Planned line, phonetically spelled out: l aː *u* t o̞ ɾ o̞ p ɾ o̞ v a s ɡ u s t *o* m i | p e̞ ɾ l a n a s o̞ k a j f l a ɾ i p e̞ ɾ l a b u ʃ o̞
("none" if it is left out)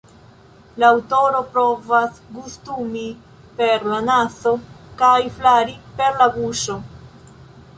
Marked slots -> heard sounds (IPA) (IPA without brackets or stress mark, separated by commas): w, u